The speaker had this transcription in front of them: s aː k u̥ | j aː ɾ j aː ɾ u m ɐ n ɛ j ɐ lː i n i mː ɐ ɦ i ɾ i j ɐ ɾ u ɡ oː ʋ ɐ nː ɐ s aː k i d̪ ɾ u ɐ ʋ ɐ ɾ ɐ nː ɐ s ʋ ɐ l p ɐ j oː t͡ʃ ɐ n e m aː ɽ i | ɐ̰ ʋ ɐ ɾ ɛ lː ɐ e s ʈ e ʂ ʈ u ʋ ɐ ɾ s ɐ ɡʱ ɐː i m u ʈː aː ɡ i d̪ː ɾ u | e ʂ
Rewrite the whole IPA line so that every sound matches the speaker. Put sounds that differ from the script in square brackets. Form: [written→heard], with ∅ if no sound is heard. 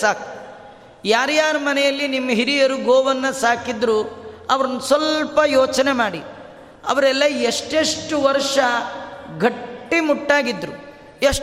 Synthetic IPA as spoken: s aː k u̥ | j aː ɾ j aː ɾ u m ɐ n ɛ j ɐ lː i n i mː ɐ ɦ i ɾ i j ɐ ɾ u ɡ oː ʋ ɐ nː ɐ s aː k i d̪ ɾ u ɐ ʋ ɐ ɾ ɐ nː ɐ s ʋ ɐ l p ɐ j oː t͡ʃ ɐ n e m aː ɽ i | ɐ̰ ʋ ɐ ɾ ɛ lː ɐ e [s→ʂ] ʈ e ʂ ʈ u ʋ ɐ ɾ [s→ʂ] ɐ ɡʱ ɐː i m u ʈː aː ɡ i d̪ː ɾ u | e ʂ